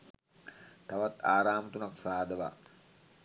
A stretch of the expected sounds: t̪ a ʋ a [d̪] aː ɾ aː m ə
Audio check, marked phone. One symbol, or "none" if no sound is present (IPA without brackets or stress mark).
t̪